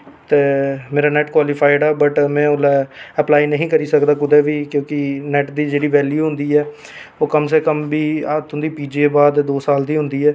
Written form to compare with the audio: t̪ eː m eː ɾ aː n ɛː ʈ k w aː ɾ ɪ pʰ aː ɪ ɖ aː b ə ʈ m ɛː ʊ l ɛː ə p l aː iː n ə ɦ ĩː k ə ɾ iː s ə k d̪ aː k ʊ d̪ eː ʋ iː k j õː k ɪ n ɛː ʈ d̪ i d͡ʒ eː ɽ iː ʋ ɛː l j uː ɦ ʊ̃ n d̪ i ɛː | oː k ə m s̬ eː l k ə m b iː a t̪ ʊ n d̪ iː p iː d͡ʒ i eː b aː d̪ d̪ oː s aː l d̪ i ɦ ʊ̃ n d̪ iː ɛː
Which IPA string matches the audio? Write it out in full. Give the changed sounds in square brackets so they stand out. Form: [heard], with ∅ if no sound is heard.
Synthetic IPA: t̪ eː m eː ɾ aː n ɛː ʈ k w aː [l] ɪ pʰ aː ɪ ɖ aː b ə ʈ m [ɛ̃ː] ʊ l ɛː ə p l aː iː n ə ɦ ĩː k ə ɾ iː s ə k d̪ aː k ʊ d̪ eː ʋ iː k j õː k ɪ n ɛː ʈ d̪ [iː] d͡ʒ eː ɽ iː ʋ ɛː l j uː ɦ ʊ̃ n d̪ [iː] ɛː | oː k ə m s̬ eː [∅] k ə m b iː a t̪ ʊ n d̪ iː p iː d͡ʒ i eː b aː d̪ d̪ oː s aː l d̪ [iː] ɦ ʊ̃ n d̪ iː ɛː